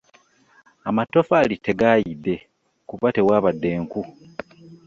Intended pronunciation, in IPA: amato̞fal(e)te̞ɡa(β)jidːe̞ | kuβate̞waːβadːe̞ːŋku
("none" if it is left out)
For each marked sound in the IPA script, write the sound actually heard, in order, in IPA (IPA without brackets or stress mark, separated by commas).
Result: i, none